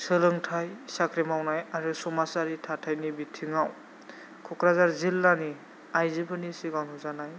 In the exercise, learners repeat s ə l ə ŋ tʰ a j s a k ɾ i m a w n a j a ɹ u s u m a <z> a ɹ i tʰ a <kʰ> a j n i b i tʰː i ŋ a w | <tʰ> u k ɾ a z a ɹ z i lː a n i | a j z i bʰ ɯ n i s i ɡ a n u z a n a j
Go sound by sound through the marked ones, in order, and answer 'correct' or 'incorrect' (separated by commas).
incorrect, incorrect, incorrect